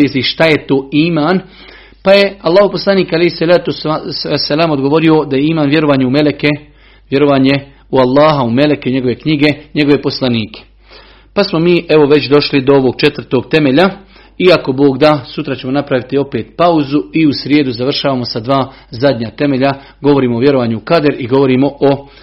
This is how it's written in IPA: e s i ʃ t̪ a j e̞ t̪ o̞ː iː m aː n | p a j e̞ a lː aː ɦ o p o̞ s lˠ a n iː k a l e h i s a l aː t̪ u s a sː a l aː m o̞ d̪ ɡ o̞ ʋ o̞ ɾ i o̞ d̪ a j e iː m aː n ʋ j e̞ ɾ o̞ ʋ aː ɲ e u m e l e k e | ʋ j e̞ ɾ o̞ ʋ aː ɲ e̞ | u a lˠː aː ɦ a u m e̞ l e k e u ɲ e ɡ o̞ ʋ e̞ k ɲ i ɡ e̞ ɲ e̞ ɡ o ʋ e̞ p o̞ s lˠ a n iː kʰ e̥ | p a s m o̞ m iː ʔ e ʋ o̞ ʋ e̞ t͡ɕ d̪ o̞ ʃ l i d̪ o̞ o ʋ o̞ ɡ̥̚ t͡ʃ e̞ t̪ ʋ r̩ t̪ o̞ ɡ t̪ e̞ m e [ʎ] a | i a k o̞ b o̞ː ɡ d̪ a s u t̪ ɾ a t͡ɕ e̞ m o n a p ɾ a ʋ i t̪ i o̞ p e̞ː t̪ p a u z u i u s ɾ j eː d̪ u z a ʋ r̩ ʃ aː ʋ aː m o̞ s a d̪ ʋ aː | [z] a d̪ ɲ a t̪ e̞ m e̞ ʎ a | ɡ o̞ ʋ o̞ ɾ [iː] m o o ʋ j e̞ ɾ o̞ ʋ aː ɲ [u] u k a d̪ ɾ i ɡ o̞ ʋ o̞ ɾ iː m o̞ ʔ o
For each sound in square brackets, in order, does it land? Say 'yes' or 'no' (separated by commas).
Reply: yes, yes, yes, yes